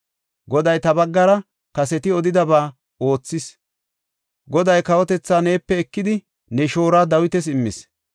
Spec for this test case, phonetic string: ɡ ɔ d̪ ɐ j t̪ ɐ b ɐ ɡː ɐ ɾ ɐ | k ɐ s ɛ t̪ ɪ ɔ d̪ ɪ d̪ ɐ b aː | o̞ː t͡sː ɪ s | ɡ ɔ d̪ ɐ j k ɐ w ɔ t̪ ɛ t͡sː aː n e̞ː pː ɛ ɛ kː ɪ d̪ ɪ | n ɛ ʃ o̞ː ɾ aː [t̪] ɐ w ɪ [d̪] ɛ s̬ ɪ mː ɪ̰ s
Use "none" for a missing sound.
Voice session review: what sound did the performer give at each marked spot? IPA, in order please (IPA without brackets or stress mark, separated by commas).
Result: d̪, t̪